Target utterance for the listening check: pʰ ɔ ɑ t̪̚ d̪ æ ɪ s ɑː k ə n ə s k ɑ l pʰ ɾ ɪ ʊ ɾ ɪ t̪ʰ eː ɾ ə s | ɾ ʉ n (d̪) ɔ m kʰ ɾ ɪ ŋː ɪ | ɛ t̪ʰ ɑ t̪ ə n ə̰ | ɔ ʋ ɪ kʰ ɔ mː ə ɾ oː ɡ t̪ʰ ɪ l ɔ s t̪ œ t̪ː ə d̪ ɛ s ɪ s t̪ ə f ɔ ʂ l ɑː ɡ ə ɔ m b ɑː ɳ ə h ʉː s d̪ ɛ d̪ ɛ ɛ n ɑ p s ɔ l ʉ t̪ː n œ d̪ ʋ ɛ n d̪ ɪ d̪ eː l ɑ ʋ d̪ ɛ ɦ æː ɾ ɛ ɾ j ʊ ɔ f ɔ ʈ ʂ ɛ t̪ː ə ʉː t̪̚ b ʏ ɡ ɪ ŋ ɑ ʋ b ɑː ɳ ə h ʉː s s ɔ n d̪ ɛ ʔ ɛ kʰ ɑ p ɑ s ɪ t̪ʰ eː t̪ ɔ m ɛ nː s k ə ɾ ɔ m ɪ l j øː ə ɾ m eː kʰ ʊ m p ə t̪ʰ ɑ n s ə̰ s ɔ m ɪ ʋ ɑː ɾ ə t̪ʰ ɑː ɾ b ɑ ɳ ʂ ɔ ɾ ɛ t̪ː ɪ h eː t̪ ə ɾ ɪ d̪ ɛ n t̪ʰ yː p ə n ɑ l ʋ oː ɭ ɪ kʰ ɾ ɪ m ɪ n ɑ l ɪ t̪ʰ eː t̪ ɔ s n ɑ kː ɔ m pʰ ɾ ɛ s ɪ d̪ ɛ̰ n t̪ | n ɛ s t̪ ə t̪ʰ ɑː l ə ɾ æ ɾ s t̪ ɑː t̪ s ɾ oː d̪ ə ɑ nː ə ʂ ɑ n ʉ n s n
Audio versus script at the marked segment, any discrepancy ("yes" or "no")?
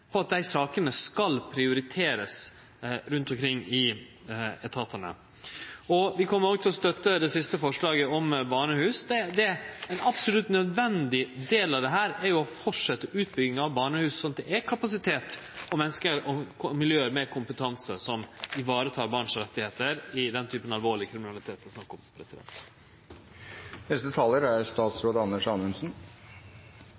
yes